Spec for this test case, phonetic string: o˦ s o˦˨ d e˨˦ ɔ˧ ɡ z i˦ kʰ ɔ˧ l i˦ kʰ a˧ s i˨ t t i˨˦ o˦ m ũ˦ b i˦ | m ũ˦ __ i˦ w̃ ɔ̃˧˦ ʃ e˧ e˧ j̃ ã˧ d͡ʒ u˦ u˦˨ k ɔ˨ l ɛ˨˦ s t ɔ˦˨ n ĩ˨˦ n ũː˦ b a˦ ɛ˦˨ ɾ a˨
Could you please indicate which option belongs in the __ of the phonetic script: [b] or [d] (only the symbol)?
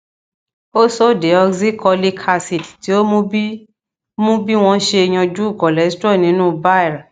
b